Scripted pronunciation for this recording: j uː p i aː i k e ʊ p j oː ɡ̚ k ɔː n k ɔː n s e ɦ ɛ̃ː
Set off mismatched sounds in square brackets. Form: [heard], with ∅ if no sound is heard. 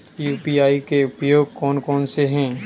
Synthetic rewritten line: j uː p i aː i k e ʊ p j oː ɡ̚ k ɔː n k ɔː n s e ɦ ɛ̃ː